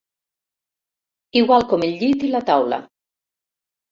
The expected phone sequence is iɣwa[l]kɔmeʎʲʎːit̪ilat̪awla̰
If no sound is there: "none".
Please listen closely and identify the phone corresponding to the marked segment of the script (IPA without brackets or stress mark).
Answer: l